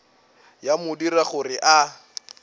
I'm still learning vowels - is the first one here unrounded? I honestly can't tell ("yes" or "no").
yes